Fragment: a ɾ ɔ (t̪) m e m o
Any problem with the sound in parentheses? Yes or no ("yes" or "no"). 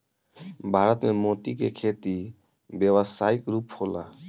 no